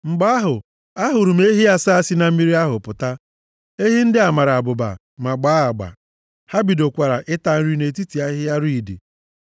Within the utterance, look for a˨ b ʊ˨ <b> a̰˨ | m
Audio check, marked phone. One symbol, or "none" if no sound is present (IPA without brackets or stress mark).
b